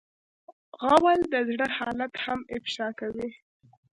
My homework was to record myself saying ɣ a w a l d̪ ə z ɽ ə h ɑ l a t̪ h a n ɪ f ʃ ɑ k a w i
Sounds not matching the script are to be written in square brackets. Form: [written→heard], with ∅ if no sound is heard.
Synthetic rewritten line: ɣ a w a l d̪ ə z ɽ ə h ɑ l a t̪ h a [n→m] ɪ f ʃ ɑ k a w i